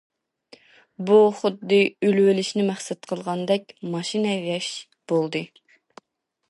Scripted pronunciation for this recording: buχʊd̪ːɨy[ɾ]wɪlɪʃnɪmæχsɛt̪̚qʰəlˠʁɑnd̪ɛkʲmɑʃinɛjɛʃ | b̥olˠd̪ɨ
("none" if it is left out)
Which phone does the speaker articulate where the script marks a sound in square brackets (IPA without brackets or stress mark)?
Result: l